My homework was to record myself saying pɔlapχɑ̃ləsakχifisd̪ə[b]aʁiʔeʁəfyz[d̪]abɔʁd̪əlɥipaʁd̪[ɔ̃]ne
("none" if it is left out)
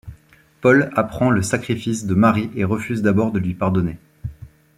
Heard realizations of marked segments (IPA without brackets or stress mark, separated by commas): m, d̪, ɔ